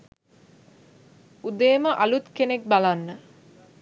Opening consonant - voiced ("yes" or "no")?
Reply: yes